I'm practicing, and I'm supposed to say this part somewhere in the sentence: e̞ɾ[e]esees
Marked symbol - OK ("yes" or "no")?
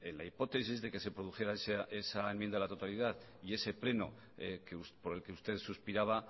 no